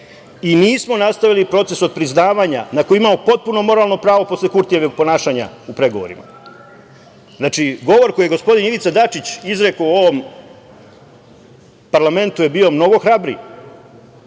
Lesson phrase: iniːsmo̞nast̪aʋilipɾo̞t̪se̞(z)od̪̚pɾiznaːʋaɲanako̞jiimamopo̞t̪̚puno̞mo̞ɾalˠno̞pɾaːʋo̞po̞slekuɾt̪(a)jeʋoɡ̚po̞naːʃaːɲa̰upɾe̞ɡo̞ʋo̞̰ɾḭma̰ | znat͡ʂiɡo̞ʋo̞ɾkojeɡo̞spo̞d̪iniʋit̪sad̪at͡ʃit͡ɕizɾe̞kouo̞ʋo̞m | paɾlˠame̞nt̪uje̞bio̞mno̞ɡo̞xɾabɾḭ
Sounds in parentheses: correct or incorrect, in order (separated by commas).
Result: incorrect, incorrect